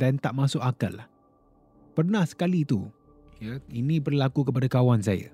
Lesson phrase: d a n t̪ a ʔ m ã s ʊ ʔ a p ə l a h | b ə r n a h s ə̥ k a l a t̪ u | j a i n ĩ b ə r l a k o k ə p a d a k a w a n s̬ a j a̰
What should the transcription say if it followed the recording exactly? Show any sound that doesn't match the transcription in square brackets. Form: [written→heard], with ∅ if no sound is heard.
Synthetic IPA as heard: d a n t̪ a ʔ m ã s ʊ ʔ a [p→k] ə l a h | [b→p] ə r n a h s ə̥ k a l [a→i] t̪ u | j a i n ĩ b ə r l a k [o→u] k ə p a d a k a w a n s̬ a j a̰